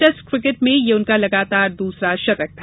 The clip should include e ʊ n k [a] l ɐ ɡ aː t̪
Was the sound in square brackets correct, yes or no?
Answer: yes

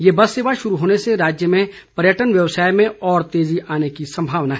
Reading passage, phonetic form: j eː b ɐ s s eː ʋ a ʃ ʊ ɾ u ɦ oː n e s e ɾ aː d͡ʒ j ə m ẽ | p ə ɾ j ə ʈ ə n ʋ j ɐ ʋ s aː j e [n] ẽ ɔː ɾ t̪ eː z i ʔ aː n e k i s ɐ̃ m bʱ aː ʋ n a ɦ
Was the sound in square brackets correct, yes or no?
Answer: no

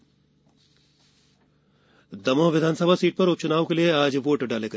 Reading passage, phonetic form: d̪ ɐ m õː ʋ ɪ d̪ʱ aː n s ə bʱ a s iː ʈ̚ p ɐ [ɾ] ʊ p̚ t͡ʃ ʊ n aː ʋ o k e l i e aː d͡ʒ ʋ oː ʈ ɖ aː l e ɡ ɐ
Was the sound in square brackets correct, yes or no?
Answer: yes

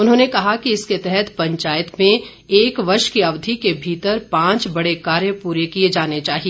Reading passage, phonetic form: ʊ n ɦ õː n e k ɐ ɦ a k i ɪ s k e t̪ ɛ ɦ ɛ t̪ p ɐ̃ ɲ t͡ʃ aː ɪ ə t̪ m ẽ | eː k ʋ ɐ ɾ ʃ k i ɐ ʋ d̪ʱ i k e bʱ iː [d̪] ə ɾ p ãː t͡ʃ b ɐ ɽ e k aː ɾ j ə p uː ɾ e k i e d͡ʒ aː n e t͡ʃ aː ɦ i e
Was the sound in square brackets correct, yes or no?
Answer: no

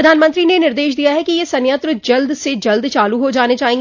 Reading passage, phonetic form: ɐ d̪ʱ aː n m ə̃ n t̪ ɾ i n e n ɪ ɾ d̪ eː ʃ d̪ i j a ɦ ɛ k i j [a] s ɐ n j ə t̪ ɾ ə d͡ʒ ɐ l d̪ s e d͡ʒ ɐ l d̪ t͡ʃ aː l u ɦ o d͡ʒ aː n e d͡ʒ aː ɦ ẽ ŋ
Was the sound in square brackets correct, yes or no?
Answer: no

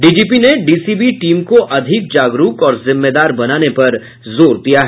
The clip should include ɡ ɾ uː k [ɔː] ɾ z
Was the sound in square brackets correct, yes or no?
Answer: yes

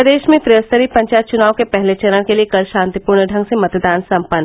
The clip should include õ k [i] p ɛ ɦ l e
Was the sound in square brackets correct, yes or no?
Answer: no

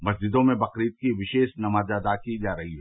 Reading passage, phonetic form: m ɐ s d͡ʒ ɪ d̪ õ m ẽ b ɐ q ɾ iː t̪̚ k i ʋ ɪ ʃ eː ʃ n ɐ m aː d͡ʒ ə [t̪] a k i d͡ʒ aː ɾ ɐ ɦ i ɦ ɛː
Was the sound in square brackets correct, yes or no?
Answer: no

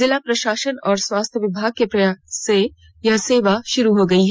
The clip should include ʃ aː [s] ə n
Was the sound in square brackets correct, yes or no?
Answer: no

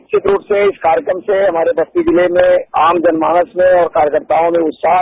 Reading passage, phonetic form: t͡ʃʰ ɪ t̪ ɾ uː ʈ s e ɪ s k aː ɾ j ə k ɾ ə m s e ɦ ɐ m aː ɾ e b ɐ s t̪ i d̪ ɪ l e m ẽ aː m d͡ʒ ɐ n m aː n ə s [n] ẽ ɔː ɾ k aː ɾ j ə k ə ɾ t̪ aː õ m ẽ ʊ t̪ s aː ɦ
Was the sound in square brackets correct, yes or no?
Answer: no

